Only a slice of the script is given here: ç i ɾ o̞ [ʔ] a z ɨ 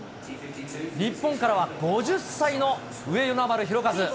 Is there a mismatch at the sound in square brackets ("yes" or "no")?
yes